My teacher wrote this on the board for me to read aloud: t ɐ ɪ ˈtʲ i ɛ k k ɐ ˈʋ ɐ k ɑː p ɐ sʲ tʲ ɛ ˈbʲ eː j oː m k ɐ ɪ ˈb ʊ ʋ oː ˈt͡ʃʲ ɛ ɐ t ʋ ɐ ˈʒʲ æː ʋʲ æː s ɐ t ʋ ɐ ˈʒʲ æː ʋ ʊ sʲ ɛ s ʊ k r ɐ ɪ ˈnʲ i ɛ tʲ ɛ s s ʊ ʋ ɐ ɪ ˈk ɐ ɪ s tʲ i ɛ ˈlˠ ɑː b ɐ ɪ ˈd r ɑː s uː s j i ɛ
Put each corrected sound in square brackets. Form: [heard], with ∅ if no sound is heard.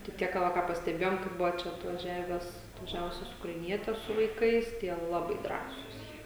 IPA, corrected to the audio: t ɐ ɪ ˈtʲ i ɛ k k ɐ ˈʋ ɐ k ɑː p ɐ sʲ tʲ ɛ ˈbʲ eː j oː m k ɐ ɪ ˈb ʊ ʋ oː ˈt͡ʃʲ ɛ ɐ t ʋ ɐ ˈʒʲ æː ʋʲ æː s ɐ t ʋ ɐ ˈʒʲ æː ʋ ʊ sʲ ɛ s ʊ k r ɐ ɪ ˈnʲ i ɛ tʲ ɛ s s ʊ ʋ ɐ ɪ ˈk ɐ ɪ s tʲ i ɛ ˈlˠ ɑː b ɐ ɪ ˈd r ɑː s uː s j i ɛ